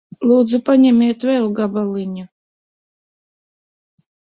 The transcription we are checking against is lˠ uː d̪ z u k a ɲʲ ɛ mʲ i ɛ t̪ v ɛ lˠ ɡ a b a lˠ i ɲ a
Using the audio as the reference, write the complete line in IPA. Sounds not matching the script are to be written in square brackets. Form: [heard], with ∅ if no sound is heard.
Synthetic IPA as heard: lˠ uː d̪ z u [p] a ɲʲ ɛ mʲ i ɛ t̪ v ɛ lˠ ɡ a b a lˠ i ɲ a